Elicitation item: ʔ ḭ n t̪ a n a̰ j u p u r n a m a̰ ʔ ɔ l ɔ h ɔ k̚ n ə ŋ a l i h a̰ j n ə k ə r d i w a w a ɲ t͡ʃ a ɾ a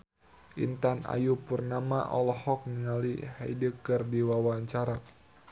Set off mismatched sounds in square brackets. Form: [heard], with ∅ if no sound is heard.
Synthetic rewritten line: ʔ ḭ n t̪ a n a̰ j u p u r n a m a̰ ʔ ɔ l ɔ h ɔ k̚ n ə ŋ a l i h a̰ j [d] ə k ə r d i w a w a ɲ t͡ʃ a ɾ a